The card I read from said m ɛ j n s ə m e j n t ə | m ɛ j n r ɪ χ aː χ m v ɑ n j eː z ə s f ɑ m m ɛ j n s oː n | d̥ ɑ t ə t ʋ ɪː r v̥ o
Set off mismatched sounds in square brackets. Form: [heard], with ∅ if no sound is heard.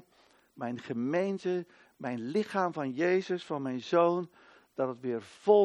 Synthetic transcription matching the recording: m ɛ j n [χ] ə m e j n t ə | m ɛ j n [l] ɪ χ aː [∅] m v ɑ n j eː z ə s f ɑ [n] m ɛ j n [z] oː n | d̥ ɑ t ə t ʋ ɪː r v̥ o